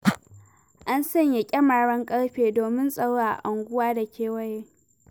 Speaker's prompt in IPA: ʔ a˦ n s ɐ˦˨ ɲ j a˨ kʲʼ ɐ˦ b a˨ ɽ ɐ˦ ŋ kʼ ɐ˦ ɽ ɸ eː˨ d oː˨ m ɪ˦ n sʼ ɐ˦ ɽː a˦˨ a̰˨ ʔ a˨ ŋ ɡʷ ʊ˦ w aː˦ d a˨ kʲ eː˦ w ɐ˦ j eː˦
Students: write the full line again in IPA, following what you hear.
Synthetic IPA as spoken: ʔ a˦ n s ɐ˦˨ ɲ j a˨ kʲʼ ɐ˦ m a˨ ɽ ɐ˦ ŋ kʼ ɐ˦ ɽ ɸ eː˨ d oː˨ m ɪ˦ n sʼ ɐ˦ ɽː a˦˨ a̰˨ ʔ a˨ ŋ ɡʷ ʊ˦ w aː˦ d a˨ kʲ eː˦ w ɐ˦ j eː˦